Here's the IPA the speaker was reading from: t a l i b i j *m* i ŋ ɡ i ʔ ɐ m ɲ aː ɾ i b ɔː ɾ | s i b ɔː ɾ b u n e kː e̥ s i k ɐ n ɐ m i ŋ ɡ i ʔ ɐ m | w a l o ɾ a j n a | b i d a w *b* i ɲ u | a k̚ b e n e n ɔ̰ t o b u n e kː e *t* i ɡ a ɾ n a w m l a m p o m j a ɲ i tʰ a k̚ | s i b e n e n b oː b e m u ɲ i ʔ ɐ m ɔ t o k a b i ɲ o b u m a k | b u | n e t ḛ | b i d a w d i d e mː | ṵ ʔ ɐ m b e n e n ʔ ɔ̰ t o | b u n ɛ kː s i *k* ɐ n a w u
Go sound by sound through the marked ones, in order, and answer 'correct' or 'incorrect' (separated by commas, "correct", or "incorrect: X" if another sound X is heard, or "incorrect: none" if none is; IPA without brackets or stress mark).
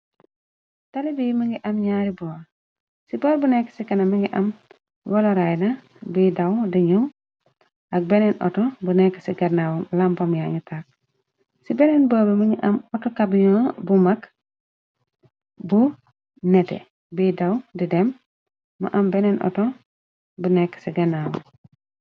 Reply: correct, incorrect: d, incorrect: s, incorrect: ɡ